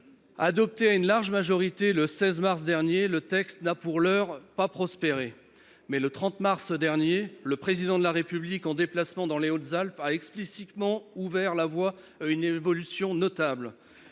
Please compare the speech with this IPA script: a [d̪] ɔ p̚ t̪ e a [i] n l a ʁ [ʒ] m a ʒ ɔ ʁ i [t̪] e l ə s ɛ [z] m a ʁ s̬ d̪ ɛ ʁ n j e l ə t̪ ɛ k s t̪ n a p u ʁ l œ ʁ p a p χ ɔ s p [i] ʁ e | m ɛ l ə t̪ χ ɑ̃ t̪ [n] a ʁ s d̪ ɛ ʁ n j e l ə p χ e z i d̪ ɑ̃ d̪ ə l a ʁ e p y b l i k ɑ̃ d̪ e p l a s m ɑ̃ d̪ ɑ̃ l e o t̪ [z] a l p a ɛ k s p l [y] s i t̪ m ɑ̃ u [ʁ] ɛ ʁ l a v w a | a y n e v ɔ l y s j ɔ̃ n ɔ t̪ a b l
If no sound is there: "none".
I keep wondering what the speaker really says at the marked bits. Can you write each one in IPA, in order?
d̪, y, ʒ, t̪, z, e, m, z, i, v

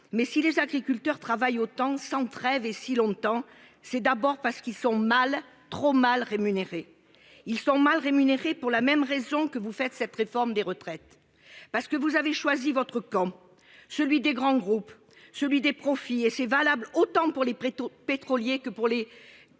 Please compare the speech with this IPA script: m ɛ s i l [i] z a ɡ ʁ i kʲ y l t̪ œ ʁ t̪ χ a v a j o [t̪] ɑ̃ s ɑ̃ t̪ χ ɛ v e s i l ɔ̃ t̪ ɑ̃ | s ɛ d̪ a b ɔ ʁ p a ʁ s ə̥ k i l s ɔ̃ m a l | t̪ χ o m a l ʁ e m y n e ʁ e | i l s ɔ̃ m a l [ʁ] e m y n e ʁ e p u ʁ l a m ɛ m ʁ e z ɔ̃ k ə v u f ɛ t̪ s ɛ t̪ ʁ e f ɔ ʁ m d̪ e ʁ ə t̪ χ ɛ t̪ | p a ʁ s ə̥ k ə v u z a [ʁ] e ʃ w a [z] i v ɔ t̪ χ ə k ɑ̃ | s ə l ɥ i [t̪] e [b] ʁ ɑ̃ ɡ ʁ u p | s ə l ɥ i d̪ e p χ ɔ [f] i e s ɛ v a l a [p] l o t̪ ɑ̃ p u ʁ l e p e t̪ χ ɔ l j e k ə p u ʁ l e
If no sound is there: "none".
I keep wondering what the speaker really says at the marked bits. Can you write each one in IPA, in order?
e, t̪, ʁ, v, z, d̪, ɡ, f, b

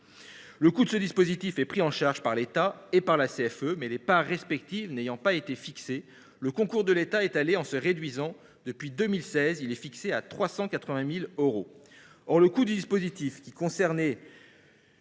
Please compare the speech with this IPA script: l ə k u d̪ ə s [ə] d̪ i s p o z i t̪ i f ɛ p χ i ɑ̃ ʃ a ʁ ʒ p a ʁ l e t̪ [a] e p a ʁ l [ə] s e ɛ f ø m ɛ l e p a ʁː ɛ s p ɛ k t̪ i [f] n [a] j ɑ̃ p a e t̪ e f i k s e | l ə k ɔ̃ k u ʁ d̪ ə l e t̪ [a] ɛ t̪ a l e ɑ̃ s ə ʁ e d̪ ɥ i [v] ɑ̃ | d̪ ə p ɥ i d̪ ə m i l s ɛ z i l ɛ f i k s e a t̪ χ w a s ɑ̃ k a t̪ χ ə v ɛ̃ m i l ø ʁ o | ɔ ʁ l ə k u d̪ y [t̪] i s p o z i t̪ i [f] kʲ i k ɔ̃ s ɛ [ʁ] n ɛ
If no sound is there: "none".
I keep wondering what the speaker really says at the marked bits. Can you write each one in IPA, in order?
ə, a, a, v, e, a, z, d̪, f, ʁ

